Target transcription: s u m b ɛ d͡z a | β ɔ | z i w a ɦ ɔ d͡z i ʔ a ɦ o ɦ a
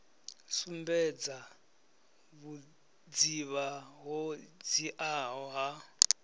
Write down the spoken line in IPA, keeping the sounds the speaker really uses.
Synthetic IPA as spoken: s u m b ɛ d͡z a | β u | d͡z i β a ɦ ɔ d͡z i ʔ a ɦ ɔ ɦ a